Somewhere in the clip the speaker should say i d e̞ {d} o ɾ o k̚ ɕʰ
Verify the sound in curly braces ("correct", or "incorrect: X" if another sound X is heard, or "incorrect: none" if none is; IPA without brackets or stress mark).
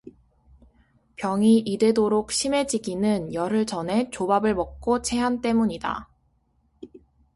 correct